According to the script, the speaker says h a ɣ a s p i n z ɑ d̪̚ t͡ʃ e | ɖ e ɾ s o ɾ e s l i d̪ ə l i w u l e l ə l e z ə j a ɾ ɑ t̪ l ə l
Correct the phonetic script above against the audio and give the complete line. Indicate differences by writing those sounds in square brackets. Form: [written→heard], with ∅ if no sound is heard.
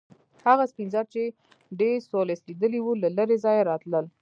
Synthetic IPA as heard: h a ɣ a s p i n z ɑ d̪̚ t͡ʃ e | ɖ e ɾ s o [ɾ→l] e s l i d̪ ə l i w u l [e→a] l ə [l→ɾ] e z [ə→ɑ] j a ɾ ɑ t̪ l ə l